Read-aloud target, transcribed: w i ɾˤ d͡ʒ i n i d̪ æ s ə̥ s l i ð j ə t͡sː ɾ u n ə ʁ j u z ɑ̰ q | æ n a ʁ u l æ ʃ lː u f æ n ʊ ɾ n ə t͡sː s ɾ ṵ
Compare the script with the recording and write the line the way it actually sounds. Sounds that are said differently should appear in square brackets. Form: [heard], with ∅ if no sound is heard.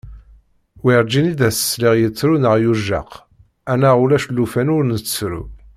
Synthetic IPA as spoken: w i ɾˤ d͡ʒ i n i d̪ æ s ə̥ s l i [ʁ] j ə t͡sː ɾ u n ə ʁ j u [ʒ] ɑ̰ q | æ n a ʁ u l æ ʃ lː u f æ n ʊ ɾ n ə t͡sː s ɾ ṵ